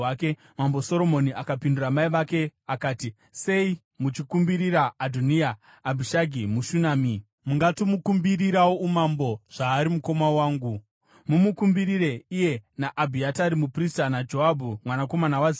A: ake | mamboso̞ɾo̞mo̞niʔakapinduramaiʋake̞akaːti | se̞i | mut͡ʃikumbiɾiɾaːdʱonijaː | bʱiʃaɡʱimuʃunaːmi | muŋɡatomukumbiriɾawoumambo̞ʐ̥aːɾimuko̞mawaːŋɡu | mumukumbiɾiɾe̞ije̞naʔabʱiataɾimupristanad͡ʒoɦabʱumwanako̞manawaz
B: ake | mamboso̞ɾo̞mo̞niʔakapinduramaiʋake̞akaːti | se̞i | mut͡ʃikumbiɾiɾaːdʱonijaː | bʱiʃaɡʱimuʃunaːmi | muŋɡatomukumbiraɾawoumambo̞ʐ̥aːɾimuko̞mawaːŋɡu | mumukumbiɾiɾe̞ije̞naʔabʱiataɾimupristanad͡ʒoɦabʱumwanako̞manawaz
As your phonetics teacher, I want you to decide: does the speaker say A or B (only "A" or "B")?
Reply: A